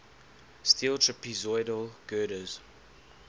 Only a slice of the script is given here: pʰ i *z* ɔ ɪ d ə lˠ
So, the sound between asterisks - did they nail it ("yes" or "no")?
yes